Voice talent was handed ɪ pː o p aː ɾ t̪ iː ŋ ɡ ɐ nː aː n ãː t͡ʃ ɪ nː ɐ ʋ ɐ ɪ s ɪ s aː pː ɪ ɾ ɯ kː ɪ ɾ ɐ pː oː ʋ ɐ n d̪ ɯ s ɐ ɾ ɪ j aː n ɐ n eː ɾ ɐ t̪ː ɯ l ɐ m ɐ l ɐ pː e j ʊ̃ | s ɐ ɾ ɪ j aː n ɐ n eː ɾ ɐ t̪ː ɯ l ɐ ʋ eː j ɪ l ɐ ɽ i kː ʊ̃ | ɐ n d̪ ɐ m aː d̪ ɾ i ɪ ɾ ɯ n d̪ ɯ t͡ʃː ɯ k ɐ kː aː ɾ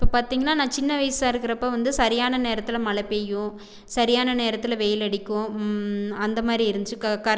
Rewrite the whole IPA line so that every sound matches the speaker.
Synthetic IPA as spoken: ɪ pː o p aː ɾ t̪ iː ŋ ɡ ɐ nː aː n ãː t͡ʃ ɪ nː ɐ ʋ ɐ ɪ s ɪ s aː ɪ ɾ ɯ kː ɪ ɾ ɐ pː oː ʋ ɐ n d̪ ɯ s ɐ ɾ ɪ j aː n ɐ n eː ɾ ɐ t̪ː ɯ l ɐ m ɐ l ɐ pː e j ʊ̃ | s ɐ ɾ ɪ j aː n ɐ n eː ɾ ɐ t̪ː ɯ l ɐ ʋ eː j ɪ l ɐ ɽ ɪ kː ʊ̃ | ɐ n d̪ ɐ m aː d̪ ɾ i ɪ ɾ ɯ n d̪ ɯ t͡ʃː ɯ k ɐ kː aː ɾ